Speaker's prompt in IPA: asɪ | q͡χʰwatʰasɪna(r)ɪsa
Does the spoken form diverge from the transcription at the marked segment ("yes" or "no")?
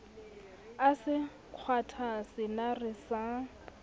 no